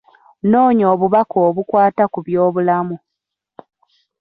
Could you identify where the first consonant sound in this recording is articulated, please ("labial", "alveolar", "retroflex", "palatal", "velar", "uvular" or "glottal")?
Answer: alveolar